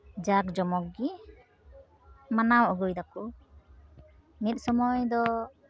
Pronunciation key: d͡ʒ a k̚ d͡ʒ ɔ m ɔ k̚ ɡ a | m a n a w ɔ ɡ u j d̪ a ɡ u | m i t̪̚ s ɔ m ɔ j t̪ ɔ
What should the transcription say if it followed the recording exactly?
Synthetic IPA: d͡ʒ a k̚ d͡ʒ ɔ m ɔ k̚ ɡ i | m a n a w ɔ ɡ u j d̪ a k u | m i t̪̚ s ɔ m ɔ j d̪ ɔ

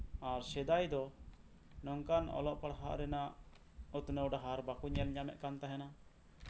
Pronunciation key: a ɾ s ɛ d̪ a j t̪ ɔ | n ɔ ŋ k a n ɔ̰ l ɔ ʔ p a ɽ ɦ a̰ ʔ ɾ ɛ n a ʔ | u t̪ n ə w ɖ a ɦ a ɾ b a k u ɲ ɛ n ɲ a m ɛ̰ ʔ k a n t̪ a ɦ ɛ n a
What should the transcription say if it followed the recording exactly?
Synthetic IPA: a ɾ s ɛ d̪ a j d̪ ɔ | n ɔ ŋ k a n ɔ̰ l ɔ ʔ p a ɽ ɦ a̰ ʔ ɾ ɛ n a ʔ | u t̪ n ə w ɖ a ɦ a ɾ b a k u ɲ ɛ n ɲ a m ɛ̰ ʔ k a n t̪ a ɦ ɛ n a

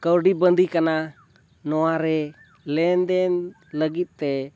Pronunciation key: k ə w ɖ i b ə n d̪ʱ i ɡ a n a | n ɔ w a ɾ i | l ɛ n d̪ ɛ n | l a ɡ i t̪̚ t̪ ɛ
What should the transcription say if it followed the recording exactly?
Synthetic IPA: k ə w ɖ i b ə n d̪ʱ i k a n a | n ɔ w a ɾ ɛ | l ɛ n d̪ ɛ n | l ə ɡ i t̪̚ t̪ ɛ

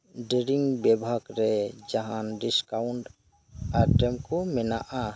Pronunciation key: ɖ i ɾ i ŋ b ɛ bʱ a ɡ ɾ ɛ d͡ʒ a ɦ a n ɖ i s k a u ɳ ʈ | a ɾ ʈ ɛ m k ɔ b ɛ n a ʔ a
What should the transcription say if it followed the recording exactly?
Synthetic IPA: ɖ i ɾ i ŋ b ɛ bʱ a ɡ ɾ ɛ d͡ʒ a ɦ a n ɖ i s k a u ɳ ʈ | a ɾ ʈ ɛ m k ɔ m ɛ n a ʔ a

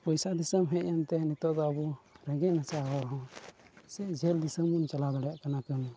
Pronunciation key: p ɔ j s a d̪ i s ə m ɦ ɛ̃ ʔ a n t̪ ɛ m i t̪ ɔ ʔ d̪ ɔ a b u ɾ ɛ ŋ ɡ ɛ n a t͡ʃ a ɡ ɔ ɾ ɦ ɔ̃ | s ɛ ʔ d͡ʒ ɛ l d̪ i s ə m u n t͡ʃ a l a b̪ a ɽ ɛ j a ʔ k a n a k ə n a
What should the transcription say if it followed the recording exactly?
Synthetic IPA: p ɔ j s a d̪ i s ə m ɦ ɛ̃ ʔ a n t̪ ɛ n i t̪ ɔ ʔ d̪ ɔ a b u ɾ ɛ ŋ ɡ ɛ n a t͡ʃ a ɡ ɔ ɾ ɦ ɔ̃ | s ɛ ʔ d͡ʒ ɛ l d̪ i s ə m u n t͡ʃ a l a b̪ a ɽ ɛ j a ʔ k a n a k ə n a

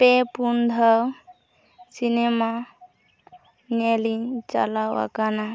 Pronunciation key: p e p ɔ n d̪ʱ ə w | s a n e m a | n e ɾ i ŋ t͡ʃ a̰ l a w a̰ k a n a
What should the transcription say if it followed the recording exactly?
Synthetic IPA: p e p u n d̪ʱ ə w | s i n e m a | n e l i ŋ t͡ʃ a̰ l a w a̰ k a n a

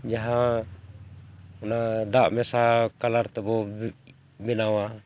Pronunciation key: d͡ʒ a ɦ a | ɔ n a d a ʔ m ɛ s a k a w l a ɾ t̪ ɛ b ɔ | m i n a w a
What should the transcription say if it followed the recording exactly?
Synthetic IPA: d͡ʒ a ɦ a | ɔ n a d a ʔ m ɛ s a k a l a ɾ t̪ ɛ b ɔ | b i n a w a

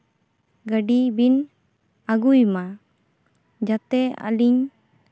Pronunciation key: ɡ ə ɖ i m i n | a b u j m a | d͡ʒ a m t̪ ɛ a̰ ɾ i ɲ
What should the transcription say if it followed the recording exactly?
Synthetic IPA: ɡ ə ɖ i b i n | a ɡ u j m a | d͡ʒ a t̪ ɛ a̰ l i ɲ

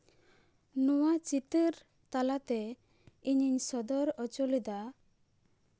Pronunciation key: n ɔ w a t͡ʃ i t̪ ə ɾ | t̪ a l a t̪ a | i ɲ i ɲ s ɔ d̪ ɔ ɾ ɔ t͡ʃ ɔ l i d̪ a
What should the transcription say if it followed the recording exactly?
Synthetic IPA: n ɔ w a t͡ʃ i t̪ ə ɾ | t̪ a l a t̪ ɛ | i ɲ i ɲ s ɔ d̪ ɔ ɾ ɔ t͡ʃ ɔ l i d̪ a

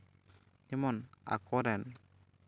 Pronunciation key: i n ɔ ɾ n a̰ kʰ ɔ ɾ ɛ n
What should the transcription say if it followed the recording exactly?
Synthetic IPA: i m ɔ n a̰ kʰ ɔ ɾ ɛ n

